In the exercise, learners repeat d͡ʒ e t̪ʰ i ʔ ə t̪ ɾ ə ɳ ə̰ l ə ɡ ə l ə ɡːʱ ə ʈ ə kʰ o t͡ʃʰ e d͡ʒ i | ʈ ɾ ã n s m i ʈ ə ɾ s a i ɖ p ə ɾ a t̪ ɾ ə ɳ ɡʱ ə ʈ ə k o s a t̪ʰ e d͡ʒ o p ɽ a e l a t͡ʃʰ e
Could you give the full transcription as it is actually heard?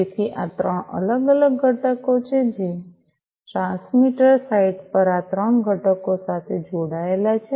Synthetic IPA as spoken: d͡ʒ e t̪ʰ i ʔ a t̪ ɾ ə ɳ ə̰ l ə ɡ ə l ə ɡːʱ ə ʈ ə k o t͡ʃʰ e d͡ʒ i | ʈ ɾ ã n s m i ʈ ə ɾ s a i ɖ p ə ɾ a t̪ ɾ ə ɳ ɡʱ ə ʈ ə k o s a t̪ʰ e d͡ʒ o ɽ a e l a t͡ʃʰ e